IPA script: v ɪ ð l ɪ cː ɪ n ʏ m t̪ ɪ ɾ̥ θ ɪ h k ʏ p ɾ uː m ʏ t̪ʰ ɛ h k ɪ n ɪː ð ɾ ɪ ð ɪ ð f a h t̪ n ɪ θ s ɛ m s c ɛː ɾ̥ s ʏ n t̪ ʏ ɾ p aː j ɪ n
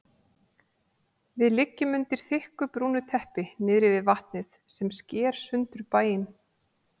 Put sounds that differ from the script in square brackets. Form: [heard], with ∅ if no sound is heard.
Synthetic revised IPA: v ɪ ð l ɪ cː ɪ [m] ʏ [n] t̪ ɪ ɾ̥ θ ɪ h k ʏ p ɾ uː [n] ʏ t̪ʰ ɛ h [p] ɪ n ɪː ð ɾ ɪ [v] ɪ ð [v] a h t̪ n ɪ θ s ɛ m s c ɛː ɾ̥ s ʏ n t̪ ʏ ɾ p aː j ɪ n